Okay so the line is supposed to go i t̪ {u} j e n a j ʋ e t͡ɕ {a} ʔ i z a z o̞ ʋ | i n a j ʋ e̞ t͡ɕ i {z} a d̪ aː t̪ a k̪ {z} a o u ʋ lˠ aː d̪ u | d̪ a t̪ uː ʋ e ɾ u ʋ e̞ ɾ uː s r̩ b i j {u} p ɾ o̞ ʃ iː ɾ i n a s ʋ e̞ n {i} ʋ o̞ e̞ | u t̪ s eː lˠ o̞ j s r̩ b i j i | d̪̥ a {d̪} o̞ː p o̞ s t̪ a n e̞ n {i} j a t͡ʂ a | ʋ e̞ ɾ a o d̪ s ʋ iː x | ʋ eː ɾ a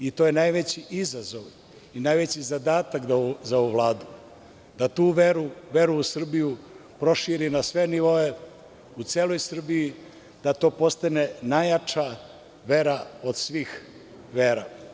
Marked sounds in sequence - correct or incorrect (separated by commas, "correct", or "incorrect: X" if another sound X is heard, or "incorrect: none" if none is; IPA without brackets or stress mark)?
incorrect: o, incorrect: i, correct, correct, correct, correct, incorrect: t̪, incorrect: a